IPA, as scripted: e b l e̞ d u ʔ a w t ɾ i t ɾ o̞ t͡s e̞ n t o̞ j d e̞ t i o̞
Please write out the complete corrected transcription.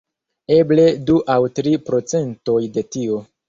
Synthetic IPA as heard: e b l e̞ d u ʔ a w t ɾ i p ɾ o̞ t͡s e̞ n t o̞ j d e̞ t i o̞